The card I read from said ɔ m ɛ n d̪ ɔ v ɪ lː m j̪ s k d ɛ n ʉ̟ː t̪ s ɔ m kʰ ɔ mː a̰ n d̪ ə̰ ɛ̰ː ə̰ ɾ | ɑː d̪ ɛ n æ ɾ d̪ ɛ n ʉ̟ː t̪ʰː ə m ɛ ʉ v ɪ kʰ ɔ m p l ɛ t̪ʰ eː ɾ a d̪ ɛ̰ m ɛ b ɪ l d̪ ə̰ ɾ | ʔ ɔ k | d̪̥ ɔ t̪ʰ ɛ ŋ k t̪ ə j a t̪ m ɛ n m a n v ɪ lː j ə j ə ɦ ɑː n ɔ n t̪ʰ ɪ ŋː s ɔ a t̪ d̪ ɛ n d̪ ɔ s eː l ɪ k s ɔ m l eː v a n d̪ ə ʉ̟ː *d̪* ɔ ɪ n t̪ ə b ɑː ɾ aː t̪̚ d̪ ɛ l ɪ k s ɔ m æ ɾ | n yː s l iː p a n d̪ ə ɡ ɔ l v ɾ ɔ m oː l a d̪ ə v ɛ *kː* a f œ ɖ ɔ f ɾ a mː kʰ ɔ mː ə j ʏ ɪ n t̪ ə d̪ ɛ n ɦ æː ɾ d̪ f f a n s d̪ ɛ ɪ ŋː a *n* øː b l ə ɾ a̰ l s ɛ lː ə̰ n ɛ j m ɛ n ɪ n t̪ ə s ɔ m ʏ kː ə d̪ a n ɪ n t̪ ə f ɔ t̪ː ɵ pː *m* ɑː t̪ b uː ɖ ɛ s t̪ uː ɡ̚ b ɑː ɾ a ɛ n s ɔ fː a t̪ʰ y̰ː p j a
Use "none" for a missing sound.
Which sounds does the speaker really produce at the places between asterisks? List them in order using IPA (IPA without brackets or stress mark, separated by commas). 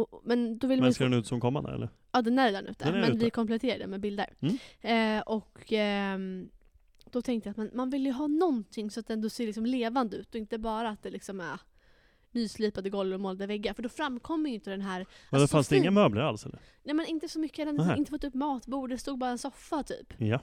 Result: t̪, ɡː, m, m